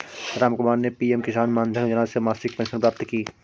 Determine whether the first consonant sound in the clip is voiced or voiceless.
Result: voiced